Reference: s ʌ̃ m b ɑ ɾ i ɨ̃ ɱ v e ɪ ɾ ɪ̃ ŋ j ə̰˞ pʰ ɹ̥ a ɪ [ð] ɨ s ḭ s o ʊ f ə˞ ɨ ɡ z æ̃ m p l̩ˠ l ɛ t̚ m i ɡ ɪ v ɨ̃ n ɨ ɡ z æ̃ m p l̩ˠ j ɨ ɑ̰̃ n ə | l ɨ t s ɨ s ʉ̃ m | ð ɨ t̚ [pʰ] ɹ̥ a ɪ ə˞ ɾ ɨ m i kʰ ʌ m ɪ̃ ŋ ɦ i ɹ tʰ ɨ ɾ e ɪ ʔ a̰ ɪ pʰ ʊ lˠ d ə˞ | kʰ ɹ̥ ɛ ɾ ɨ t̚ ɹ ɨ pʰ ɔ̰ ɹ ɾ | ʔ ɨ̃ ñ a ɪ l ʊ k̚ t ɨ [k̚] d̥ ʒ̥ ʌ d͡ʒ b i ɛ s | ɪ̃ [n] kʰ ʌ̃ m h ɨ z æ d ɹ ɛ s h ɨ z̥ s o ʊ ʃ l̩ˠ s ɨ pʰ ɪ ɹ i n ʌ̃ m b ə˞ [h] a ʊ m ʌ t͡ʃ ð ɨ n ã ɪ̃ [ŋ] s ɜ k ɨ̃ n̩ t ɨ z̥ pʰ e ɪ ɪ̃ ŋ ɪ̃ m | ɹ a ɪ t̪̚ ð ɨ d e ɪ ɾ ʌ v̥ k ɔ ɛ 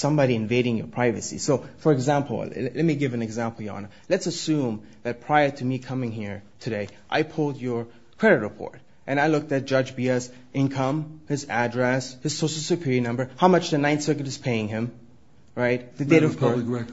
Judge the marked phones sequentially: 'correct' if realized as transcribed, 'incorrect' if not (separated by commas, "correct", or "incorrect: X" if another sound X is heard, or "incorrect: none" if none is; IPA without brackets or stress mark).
incorrect: v, correct, incorrect: t̚, correct, correct, incorrect: n